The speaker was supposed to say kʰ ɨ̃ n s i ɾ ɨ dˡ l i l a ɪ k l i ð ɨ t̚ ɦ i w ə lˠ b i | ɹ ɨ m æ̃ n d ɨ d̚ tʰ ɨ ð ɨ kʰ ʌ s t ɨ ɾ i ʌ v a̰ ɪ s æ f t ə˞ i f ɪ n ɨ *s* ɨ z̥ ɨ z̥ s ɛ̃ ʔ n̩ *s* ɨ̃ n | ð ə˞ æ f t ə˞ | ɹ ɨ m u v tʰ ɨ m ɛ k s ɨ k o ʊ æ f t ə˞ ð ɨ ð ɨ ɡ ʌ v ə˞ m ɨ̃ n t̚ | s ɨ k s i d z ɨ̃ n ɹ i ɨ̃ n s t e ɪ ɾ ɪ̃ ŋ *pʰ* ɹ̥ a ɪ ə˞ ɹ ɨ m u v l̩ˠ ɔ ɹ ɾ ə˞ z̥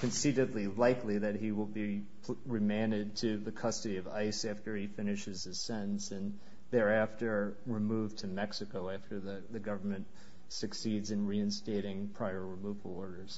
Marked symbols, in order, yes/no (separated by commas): no, yes, yes